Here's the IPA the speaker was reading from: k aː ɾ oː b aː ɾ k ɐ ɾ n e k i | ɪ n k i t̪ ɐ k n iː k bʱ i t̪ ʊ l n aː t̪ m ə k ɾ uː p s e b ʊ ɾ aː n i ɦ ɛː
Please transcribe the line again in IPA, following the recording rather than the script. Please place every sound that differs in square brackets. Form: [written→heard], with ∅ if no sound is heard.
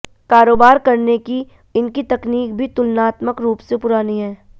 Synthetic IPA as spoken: k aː ɾ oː b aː ɾ k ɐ ɾ n e k i | ɪ n k i t̪ ɐ k n iː k bʱ i t̪ ʊ l n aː t̪ m ə k ɾ uː p s e [b→p] ʊ ɾ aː n i ɦ ɛː